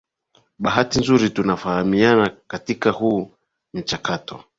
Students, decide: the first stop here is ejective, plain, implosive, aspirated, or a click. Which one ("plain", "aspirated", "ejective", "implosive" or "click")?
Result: implosive